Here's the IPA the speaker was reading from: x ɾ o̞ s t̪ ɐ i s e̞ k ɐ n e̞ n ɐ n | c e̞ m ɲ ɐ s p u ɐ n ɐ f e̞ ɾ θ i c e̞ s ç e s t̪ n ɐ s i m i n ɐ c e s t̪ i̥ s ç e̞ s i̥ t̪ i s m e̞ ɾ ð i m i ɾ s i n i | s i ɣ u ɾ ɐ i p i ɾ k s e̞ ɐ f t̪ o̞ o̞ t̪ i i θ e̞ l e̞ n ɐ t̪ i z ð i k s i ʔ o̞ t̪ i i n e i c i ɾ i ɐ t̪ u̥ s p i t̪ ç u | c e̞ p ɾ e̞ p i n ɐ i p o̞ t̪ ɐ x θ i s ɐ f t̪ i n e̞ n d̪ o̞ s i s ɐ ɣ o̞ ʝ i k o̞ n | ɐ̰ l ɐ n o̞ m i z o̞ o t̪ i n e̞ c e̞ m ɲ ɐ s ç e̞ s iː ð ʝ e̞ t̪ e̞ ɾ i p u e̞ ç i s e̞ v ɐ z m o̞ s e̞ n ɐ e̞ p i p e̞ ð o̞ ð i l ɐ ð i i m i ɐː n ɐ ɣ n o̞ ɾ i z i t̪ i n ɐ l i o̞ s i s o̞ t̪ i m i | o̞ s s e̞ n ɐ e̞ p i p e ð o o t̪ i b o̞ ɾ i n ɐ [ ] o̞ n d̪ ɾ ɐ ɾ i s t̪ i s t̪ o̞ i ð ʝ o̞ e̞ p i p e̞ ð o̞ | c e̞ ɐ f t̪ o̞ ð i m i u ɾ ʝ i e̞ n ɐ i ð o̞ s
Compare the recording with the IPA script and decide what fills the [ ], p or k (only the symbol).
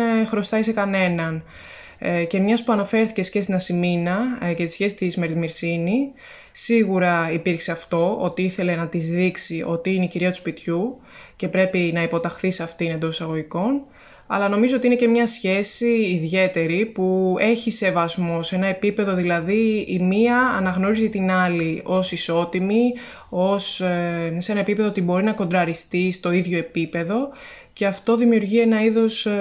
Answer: k